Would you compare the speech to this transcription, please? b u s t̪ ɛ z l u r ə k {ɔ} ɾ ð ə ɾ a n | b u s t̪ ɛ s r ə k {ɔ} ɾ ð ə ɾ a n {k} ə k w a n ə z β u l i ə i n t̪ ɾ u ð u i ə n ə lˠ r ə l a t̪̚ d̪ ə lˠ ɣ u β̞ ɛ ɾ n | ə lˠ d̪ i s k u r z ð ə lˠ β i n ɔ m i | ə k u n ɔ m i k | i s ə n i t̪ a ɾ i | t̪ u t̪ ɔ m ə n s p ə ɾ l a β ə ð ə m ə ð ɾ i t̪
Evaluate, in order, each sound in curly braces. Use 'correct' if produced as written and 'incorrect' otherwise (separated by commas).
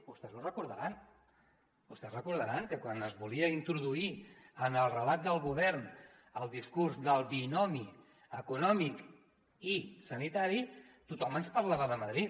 incorrect, incorrect, correct